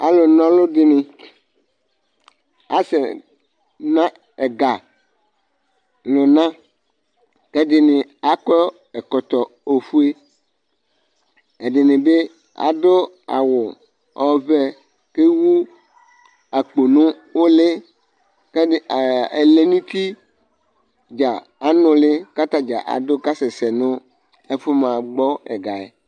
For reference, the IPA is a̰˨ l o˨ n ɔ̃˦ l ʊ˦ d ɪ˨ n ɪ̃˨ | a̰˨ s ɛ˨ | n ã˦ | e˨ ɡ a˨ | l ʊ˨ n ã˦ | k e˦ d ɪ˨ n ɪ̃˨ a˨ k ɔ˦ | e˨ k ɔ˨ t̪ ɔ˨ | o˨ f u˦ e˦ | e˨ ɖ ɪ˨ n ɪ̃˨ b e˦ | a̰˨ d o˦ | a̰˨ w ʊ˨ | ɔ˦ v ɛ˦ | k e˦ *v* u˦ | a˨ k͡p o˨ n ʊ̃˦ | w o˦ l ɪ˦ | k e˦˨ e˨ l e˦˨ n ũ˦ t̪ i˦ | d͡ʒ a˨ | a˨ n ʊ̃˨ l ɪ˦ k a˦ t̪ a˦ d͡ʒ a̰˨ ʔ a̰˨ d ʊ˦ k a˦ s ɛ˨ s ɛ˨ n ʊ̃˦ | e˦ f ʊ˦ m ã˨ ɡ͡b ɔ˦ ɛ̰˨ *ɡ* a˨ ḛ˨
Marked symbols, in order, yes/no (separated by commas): no, yes